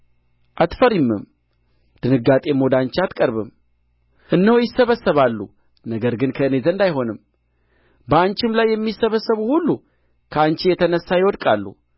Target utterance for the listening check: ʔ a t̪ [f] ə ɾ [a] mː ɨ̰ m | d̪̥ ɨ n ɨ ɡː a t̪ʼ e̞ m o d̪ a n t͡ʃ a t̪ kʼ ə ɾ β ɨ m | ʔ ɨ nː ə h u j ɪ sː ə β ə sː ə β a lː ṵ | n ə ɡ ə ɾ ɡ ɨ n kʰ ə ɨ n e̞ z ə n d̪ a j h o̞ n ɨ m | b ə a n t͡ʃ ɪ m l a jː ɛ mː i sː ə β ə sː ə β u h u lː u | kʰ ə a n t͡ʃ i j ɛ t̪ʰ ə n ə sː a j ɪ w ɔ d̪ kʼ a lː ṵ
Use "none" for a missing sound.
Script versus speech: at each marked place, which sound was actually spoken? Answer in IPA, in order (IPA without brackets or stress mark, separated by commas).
f, i